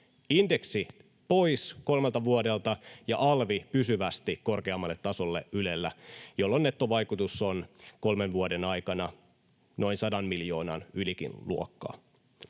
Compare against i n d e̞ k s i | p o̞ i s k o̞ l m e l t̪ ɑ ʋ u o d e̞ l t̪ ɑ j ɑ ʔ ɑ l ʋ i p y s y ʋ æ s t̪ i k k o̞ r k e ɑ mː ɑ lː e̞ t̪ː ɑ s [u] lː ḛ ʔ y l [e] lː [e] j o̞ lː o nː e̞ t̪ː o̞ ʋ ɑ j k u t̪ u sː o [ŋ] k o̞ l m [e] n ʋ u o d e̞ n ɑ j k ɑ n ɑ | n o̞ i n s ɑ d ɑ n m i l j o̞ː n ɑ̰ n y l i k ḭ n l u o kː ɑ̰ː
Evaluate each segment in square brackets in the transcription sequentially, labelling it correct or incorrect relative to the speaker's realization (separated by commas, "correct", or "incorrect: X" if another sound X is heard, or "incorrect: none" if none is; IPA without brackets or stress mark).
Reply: incorrect: o, correct, incorrect: æ, incorrect: n, correct